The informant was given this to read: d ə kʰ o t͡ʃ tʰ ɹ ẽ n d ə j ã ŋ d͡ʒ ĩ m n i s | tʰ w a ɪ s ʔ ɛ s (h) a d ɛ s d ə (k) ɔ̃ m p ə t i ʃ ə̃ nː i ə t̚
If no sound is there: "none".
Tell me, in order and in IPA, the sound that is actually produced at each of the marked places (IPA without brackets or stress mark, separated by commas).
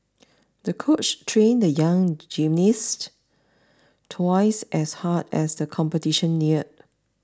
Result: h, kʰ